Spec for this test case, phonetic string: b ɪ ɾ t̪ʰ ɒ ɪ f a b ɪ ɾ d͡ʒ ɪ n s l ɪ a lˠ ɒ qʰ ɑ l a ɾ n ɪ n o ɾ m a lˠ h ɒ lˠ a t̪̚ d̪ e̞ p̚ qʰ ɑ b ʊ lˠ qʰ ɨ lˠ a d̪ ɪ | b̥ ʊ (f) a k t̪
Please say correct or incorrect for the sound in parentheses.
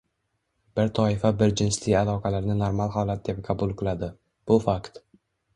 correct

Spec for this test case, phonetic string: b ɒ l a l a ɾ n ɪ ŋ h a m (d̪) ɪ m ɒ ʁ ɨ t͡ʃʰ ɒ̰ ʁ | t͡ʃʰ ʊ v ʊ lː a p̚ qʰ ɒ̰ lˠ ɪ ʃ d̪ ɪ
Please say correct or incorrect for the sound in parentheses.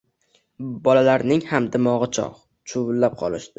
correct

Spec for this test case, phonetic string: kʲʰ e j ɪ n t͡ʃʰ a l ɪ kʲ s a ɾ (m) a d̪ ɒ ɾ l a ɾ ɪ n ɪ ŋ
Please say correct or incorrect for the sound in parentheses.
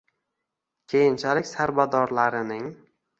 incorrect: b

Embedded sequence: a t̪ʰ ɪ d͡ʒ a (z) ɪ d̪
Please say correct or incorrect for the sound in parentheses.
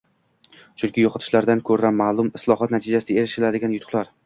incorrect: s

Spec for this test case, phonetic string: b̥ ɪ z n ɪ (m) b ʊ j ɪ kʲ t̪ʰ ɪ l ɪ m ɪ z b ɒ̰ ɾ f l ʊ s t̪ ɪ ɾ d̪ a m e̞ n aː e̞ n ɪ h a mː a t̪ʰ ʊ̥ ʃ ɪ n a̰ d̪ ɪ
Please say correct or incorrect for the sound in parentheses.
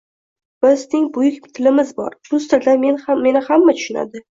incorrect: ŋ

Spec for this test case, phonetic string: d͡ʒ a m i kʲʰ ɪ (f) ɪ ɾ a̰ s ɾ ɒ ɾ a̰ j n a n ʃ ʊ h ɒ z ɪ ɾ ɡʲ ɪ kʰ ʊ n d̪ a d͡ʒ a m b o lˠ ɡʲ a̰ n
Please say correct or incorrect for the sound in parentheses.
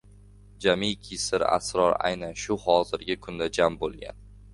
incorrect: s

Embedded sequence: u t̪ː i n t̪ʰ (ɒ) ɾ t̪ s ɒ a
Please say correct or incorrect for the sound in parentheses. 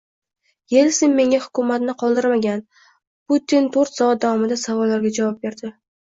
incorrect: o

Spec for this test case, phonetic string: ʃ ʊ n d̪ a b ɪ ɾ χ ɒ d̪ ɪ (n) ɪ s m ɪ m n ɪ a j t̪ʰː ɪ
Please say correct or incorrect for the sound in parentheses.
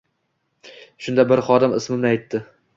incorrect: m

